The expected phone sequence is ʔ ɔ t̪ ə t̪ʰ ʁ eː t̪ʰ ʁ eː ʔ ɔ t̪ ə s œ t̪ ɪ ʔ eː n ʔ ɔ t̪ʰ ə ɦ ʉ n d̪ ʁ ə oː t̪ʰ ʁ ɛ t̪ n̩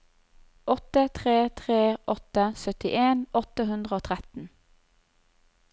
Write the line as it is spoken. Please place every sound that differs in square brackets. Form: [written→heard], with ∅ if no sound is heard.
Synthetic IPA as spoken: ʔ ɔ t̪ ə t̪ʰ ʁ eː t̪ʰ ʁ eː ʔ ɔ t̪ ə s œ t̪ ɪ ʔ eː n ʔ ɔ [t̪ʰ→t̪] ə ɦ ʉ n d̪ ʁ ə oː t̪ʰ ʁ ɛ t̪ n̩